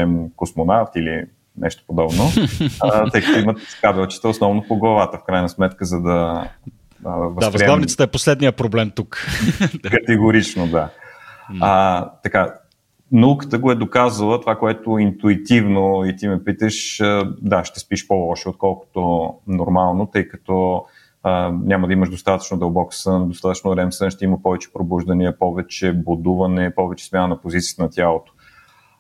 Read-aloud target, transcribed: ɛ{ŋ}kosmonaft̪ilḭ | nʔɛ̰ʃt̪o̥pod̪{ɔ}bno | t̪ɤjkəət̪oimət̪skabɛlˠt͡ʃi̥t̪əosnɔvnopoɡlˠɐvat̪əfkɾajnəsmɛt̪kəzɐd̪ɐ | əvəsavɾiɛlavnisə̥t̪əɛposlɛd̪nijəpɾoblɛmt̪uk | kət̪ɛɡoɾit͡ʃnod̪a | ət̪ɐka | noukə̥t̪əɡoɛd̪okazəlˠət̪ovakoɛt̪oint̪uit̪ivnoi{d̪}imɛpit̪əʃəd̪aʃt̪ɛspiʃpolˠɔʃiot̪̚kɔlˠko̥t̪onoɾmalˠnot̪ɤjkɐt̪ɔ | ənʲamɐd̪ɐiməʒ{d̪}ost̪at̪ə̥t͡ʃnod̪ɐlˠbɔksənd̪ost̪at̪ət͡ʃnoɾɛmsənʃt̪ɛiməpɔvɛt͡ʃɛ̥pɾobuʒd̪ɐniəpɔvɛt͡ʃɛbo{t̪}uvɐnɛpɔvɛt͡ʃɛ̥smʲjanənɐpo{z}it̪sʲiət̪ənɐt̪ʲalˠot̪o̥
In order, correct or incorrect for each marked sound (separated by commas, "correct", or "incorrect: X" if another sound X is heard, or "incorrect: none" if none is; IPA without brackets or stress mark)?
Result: incorrect: m, correct, incorrect: t̪, correct, incorrect: d̪, correct